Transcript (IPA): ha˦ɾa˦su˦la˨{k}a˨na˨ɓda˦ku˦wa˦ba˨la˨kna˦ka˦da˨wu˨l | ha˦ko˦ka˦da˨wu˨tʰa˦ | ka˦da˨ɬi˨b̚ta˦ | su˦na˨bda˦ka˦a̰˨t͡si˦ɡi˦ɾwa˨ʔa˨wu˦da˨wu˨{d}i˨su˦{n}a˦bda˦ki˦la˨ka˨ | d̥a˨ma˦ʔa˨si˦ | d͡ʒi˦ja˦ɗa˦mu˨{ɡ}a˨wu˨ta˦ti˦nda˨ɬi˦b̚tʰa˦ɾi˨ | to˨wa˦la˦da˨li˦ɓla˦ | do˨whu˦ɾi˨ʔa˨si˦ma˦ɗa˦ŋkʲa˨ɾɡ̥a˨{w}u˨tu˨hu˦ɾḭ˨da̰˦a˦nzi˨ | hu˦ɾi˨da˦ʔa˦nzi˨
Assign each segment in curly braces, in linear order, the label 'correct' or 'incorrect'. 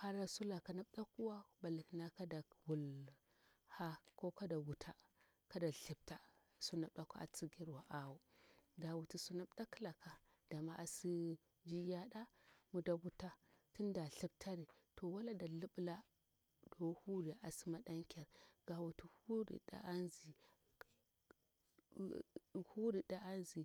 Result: correct, incorrect: t, correct, incorrect: d, correct

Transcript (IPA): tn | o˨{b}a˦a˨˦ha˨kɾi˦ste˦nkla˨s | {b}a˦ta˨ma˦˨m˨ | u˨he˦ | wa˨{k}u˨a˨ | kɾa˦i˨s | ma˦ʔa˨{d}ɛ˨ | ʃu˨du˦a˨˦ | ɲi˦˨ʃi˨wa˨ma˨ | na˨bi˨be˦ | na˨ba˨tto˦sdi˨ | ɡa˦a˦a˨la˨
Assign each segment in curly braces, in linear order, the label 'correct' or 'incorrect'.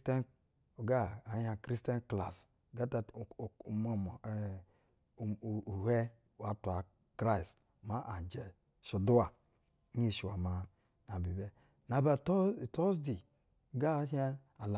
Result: incorrect: ɡ, incorrect: ɡ, incorrect: t, incorrect: d͡ʒ

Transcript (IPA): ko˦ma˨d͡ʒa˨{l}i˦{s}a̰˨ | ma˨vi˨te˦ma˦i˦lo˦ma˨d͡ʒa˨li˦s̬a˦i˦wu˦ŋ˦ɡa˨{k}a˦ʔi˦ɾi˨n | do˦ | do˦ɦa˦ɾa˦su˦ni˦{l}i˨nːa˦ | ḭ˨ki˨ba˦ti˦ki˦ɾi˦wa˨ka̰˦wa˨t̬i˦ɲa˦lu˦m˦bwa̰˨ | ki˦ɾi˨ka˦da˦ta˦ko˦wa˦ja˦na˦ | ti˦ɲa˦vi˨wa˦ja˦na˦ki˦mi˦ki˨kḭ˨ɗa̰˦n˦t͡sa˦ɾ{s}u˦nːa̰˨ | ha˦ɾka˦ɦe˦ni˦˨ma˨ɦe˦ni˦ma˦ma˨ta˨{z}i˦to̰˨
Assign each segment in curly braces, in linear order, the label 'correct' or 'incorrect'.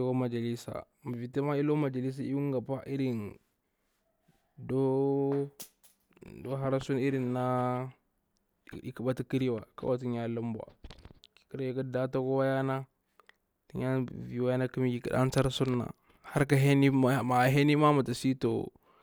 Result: correct, correct, incorrect: p, incorrect: ɾ, correct, incorrect: s

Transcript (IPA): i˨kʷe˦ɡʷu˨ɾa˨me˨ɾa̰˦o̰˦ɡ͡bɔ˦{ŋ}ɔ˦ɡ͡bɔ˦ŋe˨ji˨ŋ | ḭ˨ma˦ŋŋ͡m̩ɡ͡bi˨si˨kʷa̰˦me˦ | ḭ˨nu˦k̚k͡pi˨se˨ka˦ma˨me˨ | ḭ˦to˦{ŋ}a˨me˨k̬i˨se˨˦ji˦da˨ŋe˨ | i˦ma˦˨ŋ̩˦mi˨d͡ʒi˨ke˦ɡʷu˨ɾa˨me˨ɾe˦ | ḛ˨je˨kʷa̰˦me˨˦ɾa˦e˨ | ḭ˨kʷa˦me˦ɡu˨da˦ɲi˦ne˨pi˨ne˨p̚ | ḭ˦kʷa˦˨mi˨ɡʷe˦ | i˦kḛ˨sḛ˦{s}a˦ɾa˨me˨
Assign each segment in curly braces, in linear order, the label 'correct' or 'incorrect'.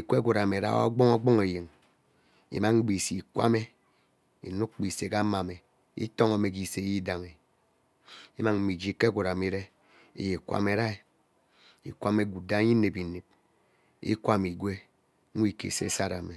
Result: correct, correct, correct

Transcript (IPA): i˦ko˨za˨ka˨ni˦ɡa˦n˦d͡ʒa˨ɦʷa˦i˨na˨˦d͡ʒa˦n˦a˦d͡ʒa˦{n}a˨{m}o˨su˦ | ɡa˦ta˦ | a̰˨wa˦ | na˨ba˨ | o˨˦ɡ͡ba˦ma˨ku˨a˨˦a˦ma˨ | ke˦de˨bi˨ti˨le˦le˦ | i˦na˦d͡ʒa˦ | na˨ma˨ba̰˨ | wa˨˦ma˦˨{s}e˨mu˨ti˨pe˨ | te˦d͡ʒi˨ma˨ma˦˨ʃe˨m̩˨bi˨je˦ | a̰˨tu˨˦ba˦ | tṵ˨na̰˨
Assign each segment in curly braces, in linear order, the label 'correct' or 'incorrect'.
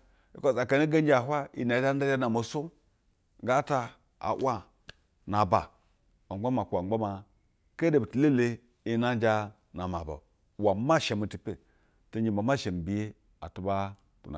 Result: correct, correct, incorrect: ʃ

